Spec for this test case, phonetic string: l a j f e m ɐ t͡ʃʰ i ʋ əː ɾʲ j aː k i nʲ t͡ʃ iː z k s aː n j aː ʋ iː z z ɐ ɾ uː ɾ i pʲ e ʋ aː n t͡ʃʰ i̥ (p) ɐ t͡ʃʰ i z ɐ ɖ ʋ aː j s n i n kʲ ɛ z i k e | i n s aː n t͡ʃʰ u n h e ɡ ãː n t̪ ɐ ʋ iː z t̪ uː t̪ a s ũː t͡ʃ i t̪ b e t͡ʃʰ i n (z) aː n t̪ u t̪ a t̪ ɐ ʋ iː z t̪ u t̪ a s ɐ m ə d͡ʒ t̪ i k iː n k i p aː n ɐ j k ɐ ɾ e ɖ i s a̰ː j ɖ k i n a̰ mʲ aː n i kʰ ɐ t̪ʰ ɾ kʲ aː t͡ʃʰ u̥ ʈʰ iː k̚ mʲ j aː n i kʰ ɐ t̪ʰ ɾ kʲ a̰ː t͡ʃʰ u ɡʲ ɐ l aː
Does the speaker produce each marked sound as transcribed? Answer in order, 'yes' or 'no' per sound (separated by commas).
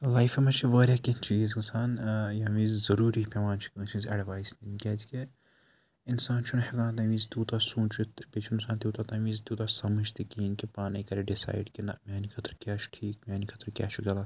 no, no